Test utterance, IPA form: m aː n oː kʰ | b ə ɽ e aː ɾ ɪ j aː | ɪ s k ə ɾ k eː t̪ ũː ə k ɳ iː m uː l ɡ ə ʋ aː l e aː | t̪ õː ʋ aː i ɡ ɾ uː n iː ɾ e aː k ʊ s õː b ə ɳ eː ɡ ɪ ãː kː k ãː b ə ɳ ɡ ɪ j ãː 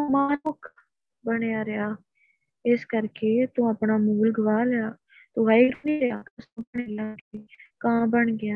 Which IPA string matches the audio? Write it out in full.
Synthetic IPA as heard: m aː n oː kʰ | b ə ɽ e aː ɾ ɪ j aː | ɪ s k ə ɾ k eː t̪ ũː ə p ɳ aː m uː l ɡ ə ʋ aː l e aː | t̪ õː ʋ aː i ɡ ɾ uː n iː ɾ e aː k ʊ s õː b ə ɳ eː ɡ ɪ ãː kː k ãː b ə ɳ ɡ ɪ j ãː